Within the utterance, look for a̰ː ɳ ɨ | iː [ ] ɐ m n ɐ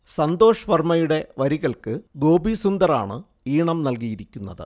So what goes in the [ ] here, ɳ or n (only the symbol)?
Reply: ɳ